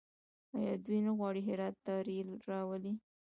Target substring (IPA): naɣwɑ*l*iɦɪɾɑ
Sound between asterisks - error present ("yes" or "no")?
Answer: yes